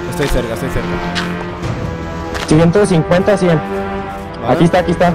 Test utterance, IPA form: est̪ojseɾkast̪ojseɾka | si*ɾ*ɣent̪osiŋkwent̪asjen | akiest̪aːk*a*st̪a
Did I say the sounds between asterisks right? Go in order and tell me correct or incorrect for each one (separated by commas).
incorrect, incorrect